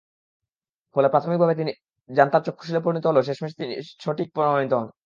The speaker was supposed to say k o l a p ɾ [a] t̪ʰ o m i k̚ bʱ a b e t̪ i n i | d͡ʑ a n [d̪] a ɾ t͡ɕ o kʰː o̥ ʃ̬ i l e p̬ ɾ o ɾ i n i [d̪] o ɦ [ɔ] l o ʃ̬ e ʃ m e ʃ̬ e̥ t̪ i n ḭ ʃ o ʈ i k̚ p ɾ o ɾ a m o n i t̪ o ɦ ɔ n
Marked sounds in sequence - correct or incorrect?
correct, incorrect: t̪, incorrect: t̪, incorrect: o

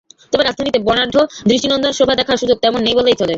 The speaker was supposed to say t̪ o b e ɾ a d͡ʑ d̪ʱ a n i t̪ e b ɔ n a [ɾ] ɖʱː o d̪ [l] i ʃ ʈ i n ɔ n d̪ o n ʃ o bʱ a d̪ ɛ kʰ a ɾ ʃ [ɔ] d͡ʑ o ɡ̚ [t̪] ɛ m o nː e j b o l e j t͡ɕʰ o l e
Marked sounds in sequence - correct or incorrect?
correct, incorrect: ɾ, incorrect: u, correct

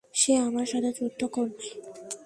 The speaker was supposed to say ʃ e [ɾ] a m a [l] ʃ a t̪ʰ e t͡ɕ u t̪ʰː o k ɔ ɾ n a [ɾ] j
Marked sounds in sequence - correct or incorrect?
incorrect: none, incorrect: ɾ, incorrect: none

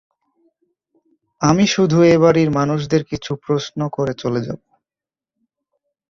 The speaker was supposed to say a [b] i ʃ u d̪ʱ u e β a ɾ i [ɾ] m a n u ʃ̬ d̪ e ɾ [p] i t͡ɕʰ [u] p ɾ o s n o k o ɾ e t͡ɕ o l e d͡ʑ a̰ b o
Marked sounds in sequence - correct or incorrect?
incorrect: m, correct, incorrect: k, correct

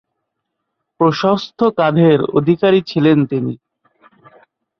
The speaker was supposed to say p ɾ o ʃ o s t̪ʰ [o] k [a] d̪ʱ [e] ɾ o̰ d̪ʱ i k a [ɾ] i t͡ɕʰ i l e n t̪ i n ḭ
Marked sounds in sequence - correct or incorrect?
correct, correct, correct, correct

